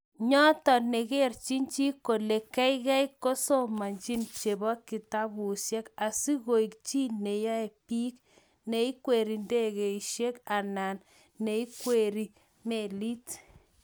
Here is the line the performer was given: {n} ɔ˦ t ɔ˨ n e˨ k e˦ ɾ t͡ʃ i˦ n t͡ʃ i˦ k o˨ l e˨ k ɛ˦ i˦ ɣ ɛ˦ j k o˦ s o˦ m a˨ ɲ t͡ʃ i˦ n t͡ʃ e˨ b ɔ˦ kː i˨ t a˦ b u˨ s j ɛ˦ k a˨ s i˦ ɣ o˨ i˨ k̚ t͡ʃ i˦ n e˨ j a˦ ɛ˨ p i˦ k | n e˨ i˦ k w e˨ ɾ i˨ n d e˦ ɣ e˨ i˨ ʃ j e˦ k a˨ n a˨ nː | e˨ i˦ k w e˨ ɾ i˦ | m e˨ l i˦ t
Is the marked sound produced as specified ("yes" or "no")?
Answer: no